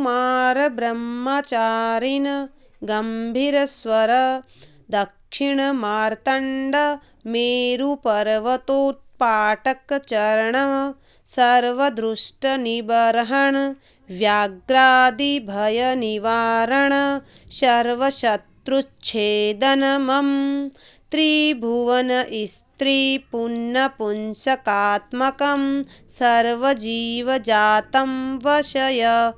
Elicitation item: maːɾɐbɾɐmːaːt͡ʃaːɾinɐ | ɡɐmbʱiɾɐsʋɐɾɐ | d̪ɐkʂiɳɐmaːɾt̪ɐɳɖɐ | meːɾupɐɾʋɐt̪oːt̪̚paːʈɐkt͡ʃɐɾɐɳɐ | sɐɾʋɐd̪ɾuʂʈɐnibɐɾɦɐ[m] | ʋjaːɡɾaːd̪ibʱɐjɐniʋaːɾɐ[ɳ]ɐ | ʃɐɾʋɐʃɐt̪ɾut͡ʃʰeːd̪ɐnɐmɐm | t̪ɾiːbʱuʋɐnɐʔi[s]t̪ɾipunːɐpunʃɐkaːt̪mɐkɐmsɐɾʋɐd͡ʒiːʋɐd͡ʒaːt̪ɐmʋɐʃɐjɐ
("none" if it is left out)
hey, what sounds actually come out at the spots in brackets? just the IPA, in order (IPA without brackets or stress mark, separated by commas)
ɳ, ɳ, s